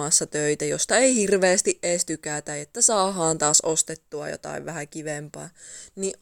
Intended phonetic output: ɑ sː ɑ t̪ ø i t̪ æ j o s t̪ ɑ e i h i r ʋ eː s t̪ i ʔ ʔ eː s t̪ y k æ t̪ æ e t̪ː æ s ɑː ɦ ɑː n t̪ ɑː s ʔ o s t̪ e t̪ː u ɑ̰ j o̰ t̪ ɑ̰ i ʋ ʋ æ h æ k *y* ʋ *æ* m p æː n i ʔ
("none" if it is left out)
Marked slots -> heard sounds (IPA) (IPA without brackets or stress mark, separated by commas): i, e